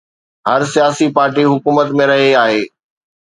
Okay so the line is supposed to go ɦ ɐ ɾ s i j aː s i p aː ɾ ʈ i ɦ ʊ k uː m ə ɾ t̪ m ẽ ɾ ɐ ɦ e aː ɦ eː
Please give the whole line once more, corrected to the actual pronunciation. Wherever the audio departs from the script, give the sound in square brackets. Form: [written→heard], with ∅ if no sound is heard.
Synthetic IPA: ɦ ɐ ɾ s i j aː s i p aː ɾ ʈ i ɦ ʊ k uː m ə [ɾ→∅] t̪ m ẽ ɾ ɐ ɦ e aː ɦ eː

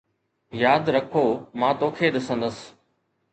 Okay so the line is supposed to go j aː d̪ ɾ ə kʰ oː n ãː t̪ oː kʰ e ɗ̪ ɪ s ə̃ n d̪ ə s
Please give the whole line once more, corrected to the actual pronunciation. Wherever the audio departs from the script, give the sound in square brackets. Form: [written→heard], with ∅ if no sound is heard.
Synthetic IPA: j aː d̪ ɾ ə kʰ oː [n→m] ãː t̪ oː kʰ e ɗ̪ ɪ s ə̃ n d̪ ə s

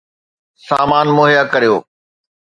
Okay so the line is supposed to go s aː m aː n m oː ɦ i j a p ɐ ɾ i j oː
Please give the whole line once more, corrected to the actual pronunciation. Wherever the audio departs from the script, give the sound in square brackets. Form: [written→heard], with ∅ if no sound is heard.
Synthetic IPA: s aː m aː n m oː ɦ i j a [p→k] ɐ ɾ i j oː

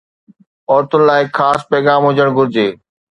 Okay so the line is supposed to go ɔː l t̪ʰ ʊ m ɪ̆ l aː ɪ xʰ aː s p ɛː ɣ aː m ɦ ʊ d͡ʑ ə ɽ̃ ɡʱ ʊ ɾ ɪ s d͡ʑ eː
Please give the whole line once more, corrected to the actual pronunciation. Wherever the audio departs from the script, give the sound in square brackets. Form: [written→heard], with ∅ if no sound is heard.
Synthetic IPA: ɔː [l→ɾ] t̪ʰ ʊ [m→n] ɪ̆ l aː ɪ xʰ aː s p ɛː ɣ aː m ɦ ʊ d͡ʑ ə ɽ̃ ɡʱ ʊ ɾ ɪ [s→∅] d͡ʑ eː

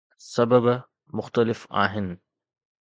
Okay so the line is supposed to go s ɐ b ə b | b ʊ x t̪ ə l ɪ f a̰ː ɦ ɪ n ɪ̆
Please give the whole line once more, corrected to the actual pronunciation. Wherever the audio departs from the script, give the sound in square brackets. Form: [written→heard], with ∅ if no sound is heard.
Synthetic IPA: s ɐ b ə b | [b→m] ʊ x t̪ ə l ɪ f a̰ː ɦ ɪ n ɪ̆

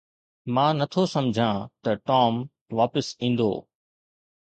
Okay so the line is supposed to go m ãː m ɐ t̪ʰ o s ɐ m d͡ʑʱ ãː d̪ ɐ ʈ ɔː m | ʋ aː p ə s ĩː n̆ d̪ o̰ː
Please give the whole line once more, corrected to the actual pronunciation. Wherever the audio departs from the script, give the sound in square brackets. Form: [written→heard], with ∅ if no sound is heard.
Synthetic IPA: m ãː [m→n] ɐ t̪ʰ o s ɐ m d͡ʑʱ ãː [d̪→t̪] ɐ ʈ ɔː m | ʋ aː p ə s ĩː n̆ d̪ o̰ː

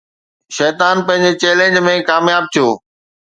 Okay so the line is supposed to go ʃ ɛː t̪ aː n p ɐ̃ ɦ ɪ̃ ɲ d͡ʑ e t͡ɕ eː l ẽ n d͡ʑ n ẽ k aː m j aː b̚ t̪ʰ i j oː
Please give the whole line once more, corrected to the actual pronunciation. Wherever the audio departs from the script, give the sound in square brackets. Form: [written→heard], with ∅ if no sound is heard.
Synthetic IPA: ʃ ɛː t̪ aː n p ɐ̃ ɦ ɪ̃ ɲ d͡ʑ e t͡ɕ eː l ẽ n d͡ʑ [n→m] ẽ k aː m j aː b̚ t̪ʰ i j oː

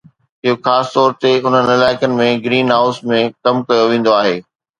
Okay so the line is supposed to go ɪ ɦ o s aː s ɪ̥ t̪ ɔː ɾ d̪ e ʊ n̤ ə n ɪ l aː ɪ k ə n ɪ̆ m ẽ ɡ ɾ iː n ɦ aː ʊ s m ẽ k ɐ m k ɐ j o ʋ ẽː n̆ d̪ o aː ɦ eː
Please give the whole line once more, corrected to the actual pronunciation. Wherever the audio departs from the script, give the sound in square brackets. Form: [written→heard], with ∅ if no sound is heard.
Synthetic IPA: ɪ ɦ o [s→x] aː s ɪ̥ t̪ ɔː ɾ [d̪→t̪] e ʊ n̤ ə n ɪ l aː ɪ k ə n ɪ̆ m ẽ ɡ ɾ iː n ɦ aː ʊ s m ẽ k ɐ m k ɐ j o ʋ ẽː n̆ d̪ o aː ɦ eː

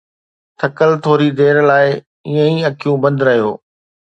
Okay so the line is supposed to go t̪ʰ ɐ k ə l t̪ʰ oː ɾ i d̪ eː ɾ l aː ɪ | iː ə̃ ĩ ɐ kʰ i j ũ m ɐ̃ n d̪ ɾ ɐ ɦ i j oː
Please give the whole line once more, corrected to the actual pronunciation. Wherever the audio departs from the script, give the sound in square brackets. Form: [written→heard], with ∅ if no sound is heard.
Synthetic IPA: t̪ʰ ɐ k ə l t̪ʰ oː ɾ i d̪ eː ɾ l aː ɪ | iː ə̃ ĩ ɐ kʰ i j ũ [m→b] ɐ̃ n d̪ ɾ ɐ ɦ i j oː

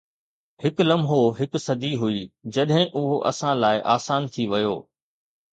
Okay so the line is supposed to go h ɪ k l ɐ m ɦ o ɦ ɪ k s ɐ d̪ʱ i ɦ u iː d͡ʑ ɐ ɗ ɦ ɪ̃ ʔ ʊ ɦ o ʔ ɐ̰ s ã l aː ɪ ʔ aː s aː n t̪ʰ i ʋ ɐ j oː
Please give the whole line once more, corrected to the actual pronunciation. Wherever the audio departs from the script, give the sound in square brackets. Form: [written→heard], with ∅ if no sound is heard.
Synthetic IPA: h ɪ k l ɐ m ɦ o ɦ ɪ k s ɐ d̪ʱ i ɦ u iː d͡ʑ ɐ ɗ ɦ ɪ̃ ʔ ʊ ɦ o ʔ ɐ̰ s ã l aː ɪ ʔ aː s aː n t̪ʰ i ʋ ɐ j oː

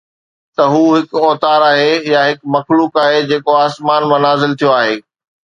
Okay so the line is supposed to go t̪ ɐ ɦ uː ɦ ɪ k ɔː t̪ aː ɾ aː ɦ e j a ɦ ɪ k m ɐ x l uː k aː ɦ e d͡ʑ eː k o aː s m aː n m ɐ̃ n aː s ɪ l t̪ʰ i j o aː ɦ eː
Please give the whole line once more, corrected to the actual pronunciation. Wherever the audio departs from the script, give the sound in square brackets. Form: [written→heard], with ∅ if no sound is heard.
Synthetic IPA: t̪ ɐ ɦ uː ɦ ɪ k ɔː t̪ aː ɾ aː ɦ e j a ɦ ɪ k m ɐ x l uː k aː ɦ e d͡ʑ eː k o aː s m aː n m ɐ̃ n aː [s→z] ɪ l t̪ʰ i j o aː ɦ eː

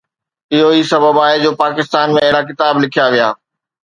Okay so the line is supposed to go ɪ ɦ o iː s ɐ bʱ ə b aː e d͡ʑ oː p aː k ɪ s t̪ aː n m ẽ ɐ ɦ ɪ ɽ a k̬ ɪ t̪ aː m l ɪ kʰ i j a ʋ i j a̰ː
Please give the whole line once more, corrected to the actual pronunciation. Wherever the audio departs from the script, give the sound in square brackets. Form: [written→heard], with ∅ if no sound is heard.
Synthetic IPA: ɪ ɦ o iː s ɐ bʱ ə b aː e d͡ʑ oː p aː k ɪ s t̪ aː n m ẽ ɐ ɦ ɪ ɽ a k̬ ɪ t̪ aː [m→b] l ɪ kʰ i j a ʋ i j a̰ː

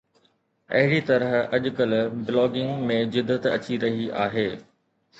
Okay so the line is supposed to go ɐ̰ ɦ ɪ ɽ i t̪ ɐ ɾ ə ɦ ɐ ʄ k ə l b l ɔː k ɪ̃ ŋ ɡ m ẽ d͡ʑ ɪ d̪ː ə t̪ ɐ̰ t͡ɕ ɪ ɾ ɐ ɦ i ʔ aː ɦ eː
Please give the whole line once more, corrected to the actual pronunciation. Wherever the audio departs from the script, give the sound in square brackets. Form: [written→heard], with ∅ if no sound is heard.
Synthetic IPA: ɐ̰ ɦ ɪ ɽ i t̪ ɐ ɾ ə ɦ ɐ ʄ k ə l b l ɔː [k→ɡ] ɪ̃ ŋ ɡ m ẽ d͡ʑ ɪ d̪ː ə t̪ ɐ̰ t͡ɕ [ɪ→i] ɾ ɐ ɦ i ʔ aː ɦ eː

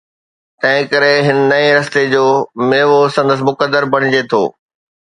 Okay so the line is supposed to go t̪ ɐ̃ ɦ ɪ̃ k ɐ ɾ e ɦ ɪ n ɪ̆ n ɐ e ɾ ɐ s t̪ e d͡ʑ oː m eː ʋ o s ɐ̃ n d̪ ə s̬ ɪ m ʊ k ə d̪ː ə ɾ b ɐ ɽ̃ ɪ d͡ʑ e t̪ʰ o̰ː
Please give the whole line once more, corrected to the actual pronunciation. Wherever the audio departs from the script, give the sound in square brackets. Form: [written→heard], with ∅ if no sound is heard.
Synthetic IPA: t̪ ɐ̃ ɦ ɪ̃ k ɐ ɾ e ɦ ɪ n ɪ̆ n ɐ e ɾ ɐ s t̪ e d͡ʑ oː m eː ʋ o s ɐ̃ n d̪ ə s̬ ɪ m ʊ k ə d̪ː ə ɾ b ɐ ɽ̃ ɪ d͡ʑ e t̪ʰ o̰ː

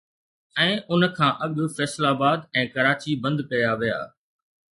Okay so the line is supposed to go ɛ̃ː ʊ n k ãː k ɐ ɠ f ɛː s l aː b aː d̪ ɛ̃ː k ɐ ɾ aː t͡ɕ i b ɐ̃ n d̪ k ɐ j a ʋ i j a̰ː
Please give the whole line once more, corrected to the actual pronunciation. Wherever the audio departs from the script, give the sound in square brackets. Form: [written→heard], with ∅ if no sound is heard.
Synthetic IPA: ɛ̃ː ʊ n [k→kʰ] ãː [k→ʔ] ɐ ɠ f ɛː s l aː b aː d̪ ɛ̃ː k ɐ ɾ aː t͡ɕ i b ɐ̃ n d̪ k ɐ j a ʋ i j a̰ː

